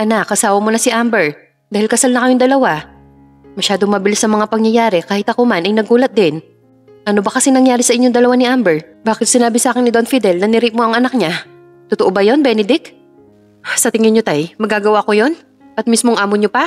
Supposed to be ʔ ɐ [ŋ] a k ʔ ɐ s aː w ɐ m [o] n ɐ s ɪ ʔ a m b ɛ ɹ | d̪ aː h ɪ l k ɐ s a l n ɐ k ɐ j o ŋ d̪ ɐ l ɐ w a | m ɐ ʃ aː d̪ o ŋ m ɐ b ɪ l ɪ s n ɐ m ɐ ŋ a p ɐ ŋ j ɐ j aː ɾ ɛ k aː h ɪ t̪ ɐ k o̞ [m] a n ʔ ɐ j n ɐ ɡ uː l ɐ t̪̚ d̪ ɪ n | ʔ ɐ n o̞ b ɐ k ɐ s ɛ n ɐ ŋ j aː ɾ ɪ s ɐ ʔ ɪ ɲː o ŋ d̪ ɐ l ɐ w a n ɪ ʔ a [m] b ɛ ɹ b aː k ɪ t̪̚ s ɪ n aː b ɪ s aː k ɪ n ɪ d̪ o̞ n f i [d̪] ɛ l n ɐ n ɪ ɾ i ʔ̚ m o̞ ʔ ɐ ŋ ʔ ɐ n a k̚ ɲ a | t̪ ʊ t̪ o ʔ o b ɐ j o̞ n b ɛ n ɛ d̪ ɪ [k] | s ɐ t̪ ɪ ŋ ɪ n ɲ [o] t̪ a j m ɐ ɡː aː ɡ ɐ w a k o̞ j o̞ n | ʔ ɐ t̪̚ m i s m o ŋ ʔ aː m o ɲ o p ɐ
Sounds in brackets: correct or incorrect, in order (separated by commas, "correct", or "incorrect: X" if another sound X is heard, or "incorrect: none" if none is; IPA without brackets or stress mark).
incorrect: n, correct, correct, correct, correct, correct, correct